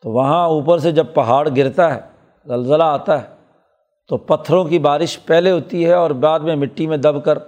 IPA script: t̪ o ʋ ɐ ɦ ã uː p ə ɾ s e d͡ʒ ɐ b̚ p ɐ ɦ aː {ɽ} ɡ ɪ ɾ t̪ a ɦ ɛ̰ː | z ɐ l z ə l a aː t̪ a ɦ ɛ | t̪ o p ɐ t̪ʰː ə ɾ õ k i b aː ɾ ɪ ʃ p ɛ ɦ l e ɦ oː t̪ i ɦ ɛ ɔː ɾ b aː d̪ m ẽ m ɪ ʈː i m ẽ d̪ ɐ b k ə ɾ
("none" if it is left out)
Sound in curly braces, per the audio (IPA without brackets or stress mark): ɽ